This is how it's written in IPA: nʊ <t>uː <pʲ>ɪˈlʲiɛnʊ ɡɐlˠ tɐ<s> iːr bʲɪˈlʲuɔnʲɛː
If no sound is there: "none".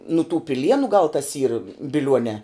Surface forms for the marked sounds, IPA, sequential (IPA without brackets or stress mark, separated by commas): t, pʲ, s